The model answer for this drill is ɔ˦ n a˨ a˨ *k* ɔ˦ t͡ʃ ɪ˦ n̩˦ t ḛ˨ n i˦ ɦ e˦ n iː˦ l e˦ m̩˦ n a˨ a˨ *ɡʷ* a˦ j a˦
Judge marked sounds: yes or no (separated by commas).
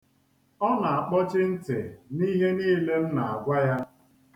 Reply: no, yes